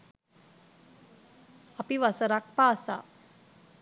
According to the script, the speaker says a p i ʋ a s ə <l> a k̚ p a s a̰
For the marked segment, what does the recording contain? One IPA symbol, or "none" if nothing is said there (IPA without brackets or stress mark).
ɾ